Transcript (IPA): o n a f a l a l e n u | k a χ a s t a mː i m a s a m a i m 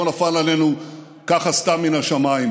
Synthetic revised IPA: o n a f a l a l e n u | k a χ a s t a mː i n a ʃ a m a i m